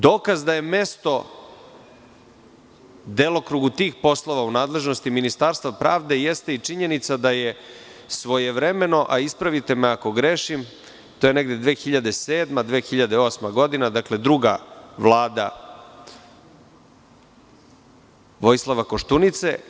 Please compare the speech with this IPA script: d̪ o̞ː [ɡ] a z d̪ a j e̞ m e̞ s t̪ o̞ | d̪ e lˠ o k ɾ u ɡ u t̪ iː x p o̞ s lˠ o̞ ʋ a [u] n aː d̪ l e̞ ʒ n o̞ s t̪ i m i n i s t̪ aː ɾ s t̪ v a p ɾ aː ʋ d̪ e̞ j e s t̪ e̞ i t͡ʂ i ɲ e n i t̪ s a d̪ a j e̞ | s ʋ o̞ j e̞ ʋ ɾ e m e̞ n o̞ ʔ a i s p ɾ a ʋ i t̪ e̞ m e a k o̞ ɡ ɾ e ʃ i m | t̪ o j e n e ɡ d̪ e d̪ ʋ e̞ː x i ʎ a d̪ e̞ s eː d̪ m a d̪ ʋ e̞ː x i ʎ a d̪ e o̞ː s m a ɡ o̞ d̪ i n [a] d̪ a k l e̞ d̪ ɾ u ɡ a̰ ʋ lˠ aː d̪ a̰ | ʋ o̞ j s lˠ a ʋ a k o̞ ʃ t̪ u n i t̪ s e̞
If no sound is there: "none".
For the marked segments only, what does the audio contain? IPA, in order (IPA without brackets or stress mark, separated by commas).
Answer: k, u, a